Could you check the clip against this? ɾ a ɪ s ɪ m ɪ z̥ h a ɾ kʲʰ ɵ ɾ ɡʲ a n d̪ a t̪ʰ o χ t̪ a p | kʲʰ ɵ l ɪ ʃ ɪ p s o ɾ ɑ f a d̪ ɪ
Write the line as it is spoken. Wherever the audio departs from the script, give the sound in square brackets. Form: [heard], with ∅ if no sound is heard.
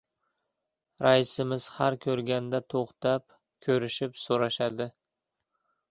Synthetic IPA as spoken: ɾ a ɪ s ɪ m ɪ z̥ h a ɾ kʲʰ ɵ ɾ ɡʲ a n d̪ a t̪ʰ o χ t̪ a p | kʲʰ ɵ [ɾ] ɪ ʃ ɪ p s o ɾ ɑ [ʃ] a d̪ ɪ